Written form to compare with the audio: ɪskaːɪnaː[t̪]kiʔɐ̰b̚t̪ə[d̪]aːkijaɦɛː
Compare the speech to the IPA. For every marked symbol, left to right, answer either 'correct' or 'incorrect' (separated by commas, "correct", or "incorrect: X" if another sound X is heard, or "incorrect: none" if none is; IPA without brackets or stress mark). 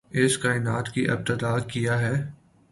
correct, correct